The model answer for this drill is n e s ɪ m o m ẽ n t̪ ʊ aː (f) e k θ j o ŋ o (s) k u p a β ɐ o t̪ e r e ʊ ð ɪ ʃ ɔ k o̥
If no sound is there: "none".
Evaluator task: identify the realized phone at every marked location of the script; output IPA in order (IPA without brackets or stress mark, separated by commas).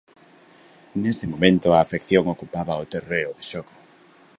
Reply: f, none